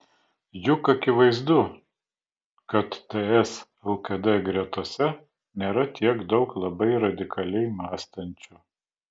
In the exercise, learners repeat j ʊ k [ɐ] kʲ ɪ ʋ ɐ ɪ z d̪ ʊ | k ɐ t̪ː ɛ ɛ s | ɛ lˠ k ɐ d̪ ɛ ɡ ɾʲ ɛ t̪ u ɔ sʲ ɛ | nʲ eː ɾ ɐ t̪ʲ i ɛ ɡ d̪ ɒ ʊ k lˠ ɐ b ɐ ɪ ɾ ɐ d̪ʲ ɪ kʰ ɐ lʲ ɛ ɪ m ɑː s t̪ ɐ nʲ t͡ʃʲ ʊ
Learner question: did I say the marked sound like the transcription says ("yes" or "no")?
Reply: yes